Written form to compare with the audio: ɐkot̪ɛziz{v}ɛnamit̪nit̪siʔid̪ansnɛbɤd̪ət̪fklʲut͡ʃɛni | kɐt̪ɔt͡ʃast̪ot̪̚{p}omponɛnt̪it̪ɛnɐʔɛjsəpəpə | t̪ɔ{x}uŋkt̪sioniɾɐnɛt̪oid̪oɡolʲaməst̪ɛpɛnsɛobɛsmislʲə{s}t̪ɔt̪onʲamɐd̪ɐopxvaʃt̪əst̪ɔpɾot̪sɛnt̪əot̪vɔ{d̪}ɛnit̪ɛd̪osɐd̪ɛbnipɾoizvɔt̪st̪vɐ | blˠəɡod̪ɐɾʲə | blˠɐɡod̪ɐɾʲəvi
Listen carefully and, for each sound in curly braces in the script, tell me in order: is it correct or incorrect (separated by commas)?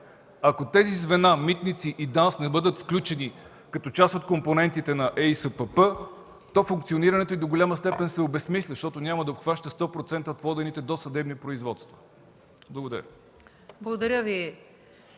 correct, incorrect, incorrect, incorrect, correct